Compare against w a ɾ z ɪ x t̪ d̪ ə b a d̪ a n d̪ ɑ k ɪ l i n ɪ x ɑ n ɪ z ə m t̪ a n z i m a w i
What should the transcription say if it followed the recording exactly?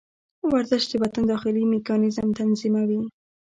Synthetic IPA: w a ɾ z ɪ ʃ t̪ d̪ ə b a t̪ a n d̪ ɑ x ɪ l i m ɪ k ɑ n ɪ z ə m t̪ a n z i m a w i